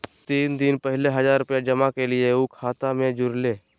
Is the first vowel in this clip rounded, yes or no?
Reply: no